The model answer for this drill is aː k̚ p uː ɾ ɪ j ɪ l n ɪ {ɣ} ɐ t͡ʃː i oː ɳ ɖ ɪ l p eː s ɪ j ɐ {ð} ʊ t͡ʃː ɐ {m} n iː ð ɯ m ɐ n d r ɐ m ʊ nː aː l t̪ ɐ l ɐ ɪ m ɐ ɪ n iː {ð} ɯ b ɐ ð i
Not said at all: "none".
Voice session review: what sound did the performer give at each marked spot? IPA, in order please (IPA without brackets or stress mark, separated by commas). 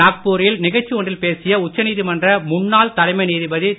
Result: ɣ, none, none, ð